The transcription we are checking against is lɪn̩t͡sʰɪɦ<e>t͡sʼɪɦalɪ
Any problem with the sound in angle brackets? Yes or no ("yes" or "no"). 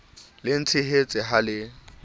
no